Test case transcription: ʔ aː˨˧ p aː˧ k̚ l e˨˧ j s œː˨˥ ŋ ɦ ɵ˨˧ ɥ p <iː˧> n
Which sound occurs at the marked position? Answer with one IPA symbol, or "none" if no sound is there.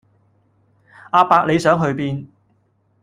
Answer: iː˧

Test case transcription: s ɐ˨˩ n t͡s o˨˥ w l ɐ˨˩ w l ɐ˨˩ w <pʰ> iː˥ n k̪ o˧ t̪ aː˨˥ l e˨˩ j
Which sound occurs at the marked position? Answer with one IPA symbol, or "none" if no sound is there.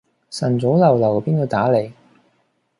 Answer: p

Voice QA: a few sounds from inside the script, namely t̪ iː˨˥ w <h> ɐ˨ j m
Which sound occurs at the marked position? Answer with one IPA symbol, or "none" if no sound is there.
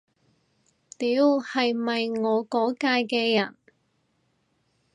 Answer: h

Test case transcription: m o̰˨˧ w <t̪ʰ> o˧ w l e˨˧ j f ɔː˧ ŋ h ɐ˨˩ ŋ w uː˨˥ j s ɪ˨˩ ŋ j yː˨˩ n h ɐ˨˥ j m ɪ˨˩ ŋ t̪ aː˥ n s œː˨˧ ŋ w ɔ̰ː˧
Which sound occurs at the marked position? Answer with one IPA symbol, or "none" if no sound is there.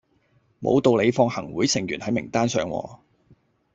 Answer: t̪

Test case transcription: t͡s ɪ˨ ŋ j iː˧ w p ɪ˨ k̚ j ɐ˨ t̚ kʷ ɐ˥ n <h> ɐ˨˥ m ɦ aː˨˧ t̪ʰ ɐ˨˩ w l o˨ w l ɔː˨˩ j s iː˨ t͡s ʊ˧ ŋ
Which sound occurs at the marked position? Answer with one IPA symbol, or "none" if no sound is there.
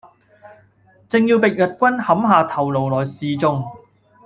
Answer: h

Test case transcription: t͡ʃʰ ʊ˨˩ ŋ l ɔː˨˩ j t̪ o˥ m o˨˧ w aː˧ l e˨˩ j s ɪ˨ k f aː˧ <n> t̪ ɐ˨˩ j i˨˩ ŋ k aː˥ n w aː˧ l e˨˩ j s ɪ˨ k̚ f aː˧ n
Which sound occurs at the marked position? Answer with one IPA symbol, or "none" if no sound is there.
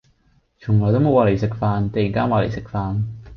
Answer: n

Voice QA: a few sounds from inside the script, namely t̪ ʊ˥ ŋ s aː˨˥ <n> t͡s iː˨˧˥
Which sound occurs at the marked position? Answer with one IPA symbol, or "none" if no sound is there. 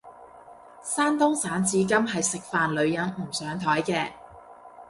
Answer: n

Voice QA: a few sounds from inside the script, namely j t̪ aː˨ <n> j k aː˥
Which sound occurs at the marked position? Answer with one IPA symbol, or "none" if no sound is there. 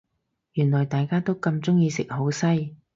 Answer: none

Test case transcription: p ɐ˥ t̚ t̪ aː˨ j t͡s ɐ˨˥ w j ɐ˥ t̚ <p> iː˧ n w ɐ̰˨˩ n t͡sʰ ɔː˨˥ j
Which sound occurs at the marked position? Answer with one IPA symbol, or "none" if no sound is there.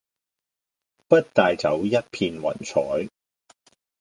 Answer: pʰ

